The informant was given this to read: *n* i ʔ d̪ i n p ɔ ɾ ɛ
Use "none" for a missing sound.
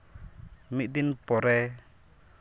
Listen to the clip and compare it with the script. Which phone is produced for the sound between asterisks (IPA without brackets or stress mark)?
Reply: m